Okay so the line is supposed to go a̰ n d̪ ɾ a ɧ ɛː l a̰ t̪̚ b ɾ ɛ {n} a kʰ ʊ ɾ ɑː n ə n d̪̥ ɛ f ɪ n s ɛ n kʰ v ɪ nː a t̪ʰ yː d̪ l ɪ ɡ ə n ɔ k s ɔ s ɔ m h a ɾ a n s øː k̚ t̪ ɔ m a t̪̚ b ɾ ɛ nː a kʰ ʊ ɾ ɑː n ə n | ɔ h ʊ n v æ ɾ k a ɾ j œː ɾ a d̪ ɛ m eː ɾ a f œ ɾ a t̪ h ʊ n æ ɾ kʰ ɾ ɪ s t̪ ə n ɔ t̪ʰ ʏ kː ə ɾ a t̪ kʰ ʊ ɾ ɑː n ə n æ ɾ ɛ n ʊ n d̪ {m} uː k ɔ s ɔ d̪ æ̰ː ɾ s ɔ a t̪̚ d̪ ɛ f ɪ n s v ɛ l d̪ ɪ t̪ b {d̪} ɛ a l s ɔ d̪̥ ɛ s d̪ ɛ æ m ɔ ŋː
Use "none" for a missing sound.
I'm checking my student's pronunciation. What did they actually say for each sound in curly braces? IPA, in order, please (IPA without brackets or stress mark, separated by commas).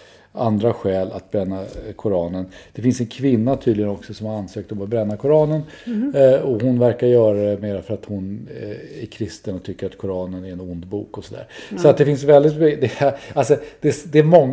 nː, b, d̪